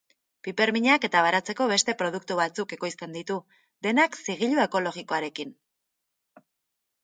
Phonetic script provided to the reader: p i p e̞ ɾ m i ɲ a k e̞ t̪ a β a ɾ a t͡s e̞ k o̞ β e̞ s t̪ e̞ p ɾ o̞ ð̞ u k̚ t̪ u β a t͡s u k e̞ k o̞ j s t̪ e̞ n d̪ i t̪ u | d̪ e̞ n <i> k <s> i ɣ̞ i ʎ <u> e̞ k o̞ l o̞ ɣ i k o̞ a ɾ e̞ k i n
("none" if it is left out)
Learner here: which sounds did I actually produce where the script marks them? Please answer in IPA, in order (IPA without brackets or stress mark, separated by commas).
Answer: a, s, u